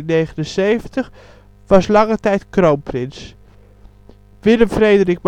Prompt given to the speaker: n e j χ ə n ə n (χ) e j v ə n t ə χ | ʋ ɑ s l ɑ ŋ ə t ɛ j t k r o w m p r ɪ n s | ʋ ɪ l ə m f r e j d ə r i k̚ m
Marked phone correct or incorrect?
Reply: incorrect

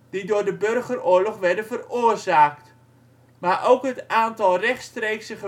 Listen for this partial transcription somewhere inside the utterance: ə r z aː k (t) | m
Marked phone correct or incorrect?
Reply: correct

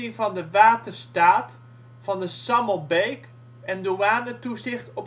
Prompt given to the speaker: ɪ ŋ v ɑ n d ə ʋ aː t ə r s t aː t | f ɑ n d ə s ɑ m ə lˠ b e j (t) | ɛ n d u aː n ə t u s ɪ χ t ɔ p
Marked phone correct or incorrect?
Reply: incorrect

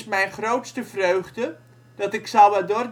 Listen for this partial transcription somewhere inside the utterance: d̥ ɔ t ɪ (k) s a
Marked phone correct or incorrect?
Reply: correct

